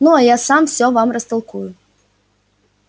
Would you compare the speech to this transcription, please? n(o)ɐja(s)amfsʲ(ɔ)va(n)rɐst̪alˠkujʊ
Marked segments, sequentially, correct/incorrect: incorrect: u, correct, correct, incorrect: m

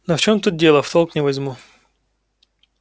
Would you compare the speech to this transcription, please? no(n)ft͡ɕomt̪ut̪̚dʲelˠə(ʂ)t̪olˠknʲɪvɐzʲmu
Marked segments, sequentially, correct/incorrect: incorrect: none, incorrect: f

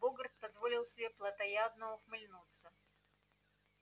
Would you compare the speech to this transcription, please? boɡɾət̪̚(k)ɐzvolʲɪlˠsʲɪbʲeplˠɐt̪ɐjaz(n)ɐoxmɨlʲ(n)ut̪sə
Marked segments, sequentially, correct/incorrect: incorrect: p, correct, correct

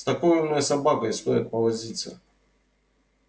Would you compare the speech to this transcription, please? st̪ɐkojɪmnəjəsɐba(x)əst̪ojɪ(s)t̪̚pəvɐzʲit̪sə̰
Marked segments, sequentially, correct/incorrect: incorrect: k, incorrect: none

